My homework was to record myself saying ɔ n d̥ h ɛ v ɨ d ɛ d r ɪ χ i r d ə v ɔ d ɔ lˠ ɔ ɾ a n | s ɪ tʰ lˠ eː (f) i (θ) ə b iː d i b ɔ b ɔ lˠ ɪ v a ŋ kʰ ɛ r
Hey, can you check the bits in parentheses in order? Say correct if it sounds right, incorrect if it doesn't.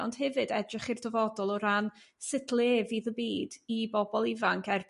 incorrect, incorrect

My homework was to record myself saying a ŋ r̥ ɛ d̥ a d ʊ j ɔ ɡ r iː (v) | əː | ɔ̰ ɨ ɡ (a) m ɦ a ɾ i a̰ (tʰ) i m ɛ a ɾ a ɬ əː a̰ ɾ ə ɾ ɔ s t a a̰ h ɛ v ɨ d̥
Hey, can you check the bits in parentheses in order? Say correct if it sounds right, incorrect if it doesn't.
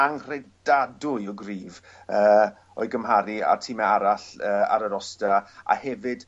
correct, incorrect, correct

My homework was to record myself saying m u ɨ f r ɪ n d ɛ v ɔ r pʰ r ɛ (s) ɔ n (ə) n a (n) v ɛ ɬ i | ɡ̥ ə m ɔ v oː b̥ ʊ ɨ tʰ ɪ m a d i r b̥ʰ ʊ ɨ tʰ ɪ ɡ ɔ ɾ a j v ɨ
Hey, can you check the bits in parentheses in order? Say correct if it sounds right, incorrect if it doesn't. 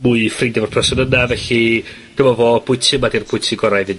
correct, correct, incorrect

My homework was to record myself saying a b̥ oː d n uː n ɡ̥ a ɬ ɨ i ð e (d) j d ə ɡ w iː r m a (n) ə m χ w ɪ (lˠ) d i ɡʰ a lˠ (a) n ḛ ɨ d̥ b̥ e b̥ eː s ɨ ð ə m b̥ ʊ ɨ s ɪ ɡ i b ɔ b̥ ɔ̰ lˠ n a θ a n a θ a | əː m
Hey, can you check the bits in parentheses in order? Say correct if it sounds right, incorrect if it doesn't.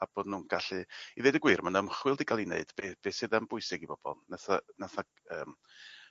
incorrect, correct, correct, incorrect

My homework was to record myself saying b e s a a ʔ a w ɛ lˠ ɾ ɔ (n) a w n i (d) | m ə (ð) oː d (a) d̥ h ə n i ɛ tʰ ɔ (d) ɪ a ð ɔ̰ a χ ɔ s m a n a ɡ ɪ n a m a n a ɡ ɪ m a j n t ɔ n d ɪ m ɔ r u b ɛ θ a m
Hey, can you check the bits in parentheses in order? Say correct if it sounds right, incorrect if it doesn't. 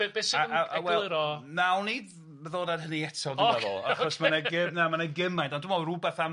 correct, correct, correct, correct, correct

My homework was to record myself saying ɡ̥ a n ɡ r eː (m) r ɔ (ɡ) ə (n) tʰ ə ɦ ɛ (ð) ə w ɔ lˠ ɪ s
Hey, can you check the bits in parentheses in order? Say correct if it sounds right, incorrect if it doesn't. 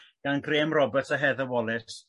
correct, incorrect, incorrect, correct

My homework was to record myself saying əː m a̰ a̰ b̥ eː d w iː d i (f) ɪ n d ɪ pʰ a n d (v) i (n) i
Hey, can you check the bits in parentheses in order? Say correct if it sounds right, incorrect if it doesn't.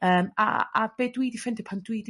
correct, incorrect, incorrect

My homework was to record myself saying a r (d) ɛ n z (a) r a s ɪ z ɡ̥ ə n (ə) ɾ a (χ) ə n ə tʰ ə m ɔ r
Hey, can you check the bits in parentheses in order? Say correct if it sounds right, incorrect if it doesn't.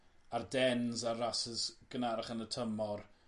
correct, correct, incorrect, correct

